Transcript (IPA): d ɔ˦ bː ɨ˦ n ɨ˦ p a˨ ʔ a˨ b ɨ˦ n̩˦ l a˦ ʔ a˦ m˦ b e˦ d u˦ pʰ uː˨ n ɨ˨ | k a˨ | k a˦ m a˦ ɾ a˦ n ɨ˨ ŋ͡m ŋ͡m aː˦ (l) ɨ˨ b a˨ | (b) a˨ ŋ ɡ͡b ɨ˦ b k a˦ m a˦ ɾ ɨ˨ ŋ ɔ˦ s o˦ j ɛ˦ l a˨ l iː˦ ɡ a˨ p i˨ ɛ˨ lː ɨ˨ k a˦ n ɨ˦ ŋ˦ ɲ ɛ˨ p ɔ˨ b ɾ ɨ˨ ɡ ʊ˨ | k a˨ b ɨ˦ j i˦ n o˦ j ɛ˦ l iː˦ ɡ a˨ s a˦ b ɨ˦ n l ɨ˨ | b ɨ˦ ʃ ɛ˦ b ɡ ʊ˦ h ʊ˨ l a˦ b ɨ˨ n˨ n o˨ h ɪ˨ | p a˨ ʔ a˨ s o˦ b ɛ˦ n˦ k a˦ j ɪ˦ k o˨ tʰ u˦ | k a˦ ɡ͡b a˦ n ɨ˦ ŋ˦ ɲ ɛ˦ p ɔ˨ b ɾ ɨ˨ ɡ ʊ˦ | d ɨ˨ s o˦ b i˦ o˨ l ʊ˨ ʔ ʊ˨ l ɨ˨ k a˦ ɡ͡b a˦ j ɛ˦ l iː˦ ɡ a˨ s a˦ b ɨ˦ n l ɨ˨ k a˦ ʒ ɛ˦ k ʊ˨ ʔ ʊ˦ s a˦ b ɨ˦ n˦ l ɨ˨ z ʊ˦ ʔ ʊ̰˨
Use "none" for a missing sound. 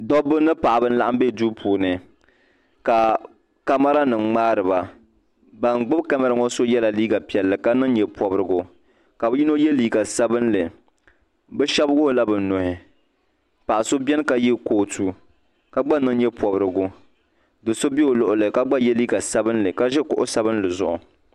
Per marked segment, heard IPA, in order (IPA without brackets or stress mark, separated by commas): ɾ, b